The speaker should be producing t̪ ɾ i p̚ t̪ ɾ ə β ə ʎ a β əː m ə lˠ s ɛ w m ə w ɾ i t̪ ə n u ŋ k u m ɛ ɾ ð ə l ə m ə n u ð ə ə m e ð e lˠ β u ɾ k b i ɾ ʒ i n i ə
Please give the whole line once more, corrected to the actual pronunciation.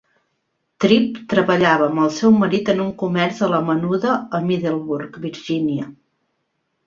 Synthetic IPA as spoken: t̪ ɾ i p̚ t̪ ɾ ə β ə ʎ a β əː m ə lˠ s ɛ w m ə ɾ i t̪ ə n u ŋ k u m ɛ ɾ z ə l ə m ə n u ð ə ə m i ð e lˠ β u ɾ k b i ɾ ʒ i n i ə

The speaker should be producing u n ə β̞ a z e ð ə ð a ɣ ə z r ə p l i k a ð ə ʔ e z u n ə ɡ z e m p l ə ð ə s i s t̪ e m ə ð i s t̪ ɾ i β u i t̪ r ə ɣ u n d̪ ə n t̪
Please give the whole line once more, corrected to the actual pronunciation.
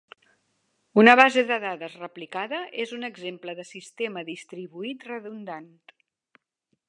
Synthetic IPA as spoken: u n ə β̞ a z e ð ə ð a ð ə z r ə p l i k a ð ə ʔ e z u n ə ɡ z e m p l ə ð ə s i s t̪ e m ə ð i s t̪ ɾ i β u i t̪ r ə ð u n d̪ a n t̪

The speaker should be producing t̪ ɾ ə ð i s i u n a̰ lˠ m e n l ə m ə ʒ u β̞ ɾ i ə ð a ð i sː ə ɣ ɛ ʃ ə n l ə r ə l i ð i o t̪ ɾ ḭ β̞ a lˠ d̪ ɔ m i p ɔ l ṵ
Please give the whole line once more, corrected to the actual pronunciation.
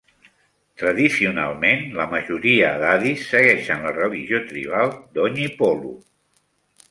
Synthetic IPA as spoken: t̪ ɾ ə ð i s i u n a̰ lˠ m e n l ə m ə ʒ u ɾ i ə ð a ð i sː ə ɣ ɛ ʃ ə n l ə r ə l i ʒ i o t̪ ɾ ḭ β̞ a lˠ d̪ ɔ ɲ i p ɔ l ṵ

